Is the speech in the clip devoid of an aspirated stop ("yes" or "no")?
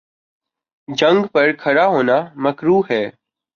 no